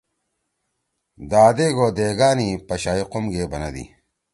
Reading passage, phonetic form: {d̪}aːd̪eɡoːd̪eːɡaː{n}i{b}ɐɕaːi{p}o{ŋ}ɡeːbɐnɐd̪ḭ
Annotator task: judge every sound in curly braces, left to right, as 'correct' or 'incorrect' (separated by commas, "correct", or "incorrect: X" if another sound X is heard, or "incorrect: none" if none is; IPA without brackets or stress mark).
correct, correct, incorrect: p, incorrect: q, incorrect: m